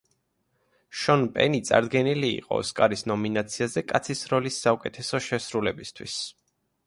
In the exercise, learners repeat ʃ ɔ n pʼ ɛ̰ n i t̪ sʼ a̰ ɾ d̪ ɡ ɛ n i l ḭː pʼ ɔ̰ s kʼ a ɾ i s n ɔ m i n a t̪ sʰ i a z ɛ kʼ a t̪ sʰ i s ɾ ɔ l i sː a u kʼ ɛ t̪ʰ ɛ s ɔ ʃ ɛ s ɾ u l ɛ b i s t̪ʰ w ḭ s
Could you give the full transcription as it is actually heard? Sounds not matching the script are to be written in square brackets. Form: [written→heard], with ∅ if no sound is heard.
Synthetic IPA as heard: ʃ ɔ n pʼ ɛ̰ n i t̪ sʼ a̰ ɾ d̪ ɡ ɛ n i l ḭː [pʼ→qʼ] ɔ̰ s kʼ a ɾ i s n ɔ m i n a t̪ sʰ i a z ɛ kʼ a t̪ sʰ i s ɾ ɔ l i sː a u kʼ ɛ t̪ʰ ɛ s ɔ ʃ ɛ s ɾ u l ɛ b i s t̪ʰ w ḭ s